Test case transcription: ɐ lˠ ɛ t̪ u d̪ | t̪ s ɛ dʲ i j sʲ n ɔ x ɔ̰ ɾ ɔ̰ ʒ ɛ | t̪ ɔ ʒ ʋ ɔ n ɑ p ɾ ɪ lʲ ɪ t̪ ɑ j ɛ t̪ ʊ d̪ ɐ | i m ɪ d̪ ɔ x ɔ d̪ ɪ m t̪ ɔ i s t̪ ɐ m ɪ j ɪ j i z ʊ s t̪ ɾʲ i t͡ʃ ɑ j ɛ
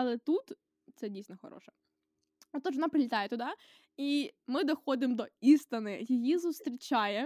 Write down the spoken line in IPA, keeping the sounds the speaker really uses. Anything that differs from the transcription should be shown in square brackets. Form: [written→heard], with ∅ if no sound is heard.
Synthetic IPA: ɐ lˠ ɛ t̪ u [d̪→t̪] | t̪ s ɛ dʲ i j sʲ n ɔ x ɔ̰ ɾ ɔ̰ [ʒ→ʃ] ɛ | t̪ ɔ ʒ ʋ ɔ n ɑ p ɾ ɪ lʲ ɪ t̪ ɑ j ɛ t̪ ʊ d̪ [ɐ→ɑ] | i m ɪ d̪ ɔ x ɔ d̪ ɪ m [t̪→d̪] ɔ i s t̪ ɐ [m→n] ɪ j ɪ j i z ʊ s t̪ ɾʲ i t͡ʃ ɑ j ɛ